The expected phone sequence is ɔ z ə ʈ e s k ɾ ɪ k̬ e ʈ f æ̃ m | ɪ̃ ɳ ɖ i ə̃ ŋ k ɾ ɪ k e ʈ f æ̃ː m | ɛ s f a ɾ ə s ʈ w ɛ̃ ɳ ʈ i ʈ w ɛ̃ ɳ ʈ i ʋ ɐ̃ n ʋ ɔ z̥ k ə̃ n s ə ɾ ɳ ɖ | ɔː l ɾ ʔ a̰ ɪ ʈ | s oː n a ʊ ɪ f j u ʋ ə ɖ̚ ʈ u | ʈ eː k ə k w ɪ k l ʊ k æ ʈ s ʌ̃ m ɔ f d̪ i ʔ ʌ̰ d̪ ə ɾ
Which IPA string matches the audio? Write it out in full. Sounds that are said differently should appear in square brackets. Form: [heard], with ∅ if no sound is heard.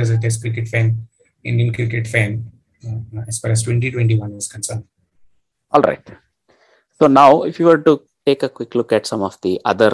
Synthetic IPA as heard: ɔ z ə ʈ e s k ɾ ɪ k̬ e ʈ f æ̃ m | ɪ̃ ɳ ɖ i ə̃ [n] k ɾ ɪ k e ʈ f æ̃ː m | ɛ s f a ɾ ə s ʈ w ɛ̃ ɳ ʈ i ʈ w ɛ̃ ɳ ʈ i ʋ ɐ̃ n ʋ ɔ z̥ k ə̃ n s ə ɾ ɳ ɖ | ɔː l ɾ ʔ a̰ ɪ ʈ | s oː n a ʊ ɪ f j u ʋ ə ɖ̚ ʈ u | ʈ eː k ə k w ɪ k l ʊ k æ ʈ s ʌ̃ m ɔ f d̪ i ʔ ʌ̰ d̪ ə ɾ